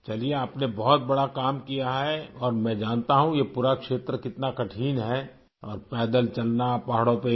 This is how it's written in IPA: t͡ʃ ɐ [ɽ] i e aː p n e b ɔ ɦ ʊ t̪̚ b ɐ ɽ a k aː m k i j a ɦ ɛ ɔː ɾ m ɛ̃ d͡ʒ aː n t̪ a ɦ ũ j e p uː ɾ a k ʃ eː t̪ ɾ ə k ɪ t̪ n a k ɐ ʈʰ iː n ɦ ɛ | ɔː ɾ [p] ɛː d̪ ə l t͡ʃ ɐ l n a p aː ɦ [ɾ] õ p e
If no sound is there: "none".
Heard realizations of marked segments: l, p, ɽ

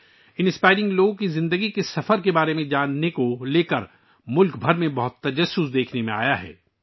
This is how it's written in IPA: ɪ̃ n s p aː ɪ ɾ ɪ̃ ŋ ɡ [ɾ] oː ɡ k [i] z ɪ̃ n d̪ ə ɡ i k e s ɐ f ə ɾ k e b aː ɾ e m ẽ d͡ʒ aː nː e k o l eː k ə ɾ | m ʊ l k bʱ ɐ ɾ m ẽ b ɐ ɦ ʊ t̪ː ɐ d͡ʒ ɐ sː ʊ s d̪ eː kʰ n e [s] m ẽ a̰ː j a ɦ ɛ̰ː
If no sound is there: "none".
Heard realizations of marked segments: l, i, none

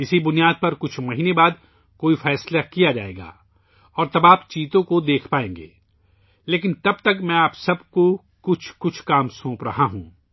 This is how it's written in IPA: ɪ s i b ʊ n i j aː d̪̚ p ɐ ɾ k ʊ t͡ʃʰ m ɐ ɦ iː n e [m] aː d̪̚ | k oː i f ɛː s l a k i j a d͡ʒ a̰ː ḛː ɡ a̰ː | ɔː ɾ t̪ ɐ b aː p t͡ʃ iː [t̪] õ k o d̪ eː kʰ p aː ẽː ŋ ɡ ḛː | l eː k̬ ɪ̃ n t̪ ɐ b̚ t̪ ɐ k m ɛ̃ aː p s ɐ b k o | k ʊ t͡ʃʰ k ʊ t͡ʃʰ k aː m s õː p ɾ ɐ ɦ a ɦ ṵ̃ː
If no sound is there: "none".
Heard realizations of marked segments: b, t̪

